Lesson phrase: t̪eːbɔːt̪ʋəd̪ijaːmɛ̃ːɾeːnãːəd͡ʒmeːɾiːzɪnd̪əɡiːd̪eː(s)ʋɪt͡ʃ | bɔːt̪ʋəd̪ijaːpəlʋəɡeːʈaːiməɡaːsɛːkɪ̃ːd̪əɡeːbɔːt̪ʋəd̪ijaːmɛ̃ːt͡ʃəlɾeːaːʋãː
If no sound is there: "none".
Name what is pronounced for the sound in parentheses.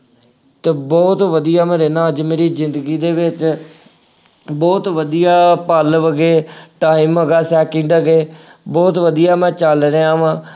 none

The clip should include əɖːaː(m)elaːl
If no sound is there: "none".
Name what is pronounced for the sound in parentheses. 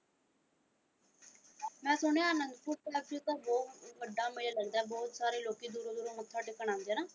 m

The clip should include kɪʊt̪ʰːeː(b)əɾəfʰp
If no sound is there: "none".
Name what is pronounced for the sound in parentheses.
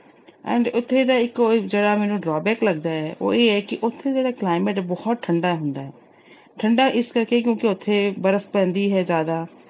b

